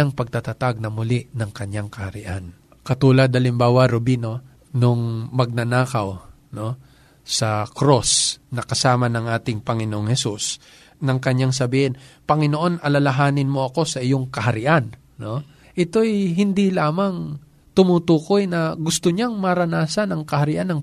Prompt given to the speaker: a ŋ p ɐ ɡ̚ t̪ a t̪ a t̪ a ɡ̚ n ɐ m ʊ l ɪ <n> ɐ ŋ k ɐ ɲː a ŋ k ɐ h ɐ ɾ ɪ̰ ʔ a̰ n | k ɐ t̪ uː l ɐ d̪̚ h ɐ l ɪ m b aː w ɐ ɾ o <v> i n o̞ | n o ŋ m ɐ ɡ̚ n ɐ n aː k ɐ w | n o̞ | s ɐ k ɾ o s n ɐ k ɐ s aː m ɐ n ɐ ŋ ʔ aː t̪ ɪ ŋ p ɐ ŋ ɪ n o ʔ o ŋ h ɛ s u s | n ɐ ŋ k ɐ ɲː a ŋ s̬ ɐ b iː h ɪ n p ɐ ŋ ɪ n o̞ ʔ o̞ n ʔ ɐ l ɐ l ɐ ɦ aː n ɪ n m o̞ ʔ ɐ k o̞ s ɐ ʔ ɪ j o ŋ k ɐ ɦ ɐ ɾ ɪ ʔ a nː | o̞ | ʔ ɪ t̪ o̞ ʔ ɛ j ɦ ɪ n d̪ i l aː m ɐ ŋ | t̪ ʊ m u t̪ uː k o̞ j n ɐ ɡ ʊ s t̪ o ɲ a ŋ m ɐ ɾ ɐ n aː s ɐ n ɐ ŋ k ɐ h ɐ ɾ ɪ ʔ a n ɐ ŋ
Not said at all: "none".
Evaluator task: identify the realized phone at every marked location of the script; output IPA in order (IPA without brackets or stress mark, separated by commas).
n, b